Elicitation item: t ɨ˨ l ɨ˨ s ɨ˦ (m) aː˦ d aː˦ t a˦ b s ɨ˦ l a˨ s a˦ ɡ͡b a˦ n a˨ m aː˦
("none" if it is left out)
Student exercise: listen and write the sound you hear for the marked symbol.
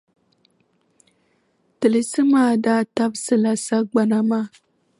m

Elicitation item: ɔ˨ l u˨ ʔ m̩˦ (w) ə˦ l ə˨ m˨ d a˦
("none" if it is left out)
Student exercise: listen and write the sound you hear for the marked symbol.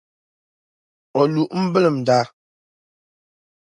b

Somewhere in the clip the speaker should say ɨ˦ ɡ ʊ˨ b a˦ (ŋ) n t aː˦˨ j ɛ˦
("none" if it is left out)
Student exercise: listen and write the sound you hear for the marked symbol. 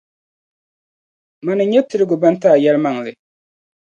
none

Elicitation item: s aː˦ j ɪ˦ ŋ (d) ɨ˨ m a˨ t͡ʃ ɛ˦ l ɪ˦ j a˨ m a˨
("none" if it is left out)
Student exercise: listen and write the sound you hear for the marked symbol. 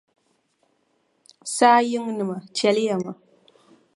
n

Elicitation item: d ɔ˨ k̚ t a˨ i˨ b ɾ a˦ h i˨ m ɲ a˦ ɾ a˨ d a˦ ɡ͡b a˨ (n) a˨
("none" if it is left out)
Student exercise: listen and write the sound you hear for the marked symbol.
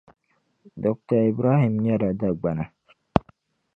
n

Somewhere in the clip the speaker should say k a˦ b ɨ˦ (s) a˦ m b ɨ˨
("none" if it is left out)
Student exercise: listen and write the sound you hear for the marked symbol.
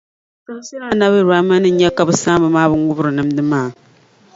s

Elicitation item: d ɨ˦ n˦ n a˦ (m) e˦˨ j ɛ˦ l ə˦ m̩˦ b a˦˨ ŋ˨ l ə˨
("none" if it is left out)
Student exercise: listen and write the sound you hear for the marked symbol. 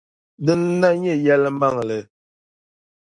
ɲ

